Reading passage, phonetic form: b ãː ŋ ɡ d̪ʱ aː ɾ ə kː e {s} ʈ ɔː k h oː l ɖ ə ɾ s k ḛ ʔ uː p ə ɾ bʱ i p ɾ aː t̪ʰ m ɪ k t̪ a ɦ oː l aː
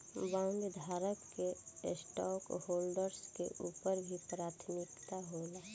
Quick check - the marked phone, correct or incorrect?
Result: correct